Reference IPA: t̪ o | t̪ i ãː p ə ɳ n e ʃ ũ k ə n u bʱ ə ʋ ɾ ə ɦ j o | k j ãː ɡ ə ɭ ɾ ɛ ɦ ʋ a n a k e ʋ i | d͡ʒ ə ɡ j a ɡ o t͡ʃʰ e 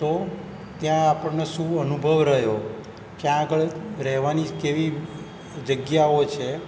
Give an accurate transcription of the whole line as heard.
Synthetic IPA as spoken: t̪ o | t̪ j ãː p ə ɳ n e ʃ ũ ə n u bʱ ə ʋ ɾ ə ɦ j o | k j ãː ɡ ə ɭ ɾ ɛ ɦ ʋ a n i k e ʋ i | d͡ʒ ə ɡ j a o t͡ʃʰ e